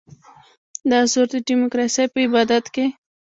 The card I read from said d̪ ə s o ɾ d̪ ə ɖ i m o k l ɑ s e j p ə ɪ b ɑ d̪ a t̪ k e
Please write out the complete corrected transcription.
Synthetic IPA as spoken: d̪ ɑ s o ɾ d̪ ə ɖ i m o k ɾ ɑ s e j p ə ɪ b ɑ d̪ a t̪ k e